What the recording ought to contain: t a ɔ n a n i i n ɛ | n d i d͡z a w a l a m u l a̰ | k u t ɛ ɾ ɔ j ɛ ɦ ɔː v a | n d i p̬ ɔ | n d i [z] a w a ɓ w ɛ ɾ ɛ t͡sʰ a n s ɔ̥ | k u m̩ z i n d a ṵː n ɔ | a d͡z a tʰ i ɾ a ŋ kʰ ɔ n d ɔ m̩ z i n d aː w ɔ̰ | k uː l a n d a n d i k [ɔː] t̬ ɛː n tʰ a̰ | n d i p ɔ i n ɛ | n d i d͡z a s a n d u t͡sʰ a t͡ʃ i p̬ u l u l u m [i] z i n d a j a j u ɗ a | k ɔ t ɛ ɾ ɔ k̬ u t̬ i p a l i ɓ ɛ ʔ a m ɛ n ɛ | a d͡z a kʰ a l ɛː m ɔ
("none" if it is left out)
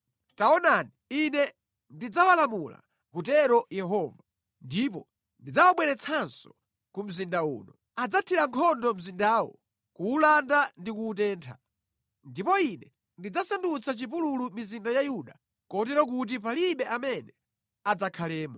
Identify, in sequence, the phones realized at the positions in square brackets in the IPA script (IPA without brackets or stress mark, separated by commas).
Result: d͡z, uː, i